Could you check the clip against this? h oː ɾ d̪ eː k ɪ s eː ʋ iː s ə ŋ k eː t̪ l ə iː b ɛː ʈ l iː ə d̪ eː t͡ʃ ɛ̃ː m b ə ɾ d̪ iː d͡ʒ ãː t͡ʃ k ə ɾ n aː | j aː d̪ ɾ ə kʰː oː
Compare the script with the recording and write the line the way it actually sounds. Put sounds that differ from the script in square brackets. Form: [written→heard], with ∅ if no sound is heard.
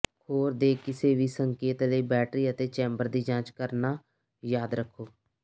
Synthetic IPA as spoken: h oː ɾ d̪ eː k ɪ s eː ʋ iː s ə ŋ k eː t̪ l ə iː b ɛː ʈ [l→ɾ] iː ə [d̪→t̪] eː t͡ʃ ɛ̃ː m b ə ɾ d̪ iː d͡ʒ ãː t͡ʃ k ə ɾ n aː | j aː d̪ ɾ ə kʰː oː